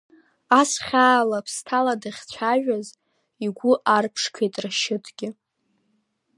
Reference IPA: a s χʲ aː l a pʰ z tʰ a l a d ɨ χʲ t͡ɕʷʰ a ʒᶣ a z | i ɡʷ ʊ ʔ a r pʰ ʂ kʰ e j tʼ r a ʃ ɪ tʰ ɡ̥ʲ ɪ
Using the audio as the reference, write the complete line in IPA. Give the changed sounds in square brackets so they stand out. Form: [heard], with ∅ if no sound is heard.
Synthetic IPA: a s χʲ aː l a pʰ [s] tʰ a l a d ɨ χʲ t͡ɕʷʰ a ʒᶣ a z | i ɡʷ ʊ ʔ a r pʰ ʂ kʰ e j tʼ r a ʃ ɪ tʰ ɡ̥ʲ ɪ